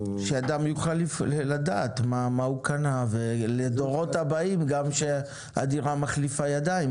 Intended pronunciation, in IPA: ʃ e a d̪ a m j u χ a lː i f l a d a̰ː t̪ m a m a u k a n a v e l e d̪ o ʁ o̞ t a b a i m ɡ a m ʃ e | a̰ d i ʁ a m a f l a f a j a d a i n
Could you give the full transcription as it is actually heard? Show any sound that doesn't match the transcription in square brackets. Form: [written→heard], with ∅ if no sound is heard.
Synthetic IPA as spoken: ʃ e a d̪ a m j u χ a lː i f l a d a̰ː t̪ m a m a u k a n a v e l e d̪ o ʁ o̞ t a b a i m ɡ a m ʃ e | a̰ d i ʁ a m a [f→χ] l [a→i] f a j a d a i [n→m]